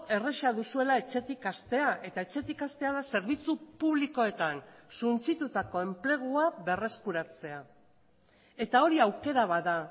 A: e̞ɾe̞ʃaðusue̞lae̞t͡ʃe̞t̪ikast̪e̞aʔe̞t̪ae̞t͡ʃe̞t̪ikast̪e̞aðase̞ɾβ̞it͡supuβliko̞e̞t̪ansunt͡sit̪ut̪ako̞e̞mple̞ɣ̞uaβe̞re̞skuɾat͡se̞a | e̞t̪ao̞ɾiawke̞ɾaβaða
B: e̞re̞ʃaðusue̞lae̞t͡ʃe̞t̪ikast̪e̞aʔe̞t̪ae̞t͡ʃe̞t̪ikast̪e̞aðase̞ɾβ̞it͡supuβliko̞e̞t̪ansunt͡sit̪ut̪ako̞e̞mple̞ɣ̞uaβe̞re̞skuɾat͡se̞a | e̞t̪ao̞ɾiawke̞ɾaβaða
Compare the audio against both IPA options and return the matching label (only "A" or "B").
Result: B